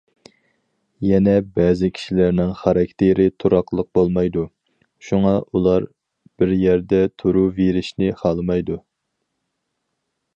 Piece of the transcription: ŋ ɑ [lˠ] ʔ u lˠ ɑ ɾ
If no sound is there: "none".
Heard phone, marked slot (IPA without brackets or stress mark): none